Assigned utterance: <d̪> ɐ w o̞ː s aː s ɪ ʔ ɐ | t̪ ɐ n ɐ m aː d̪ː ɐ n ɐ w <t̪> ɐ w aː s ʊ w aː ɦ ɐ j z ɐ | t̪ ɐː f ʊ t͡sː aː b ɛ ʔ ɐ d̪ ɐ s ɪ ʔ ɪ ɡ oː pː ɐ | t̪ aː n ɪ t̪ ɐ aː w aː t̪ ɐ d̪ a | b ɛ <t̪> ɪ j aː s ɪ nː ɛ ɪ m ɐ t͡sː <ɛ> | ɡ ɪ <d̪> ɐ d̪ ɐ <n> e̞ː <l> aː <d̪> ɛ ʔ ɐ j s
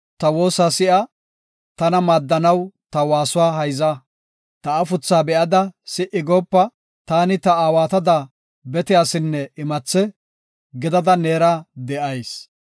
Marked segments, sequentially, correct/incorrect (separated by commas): incorrect, correct, correct, correct, correct, correct, incorrect, correct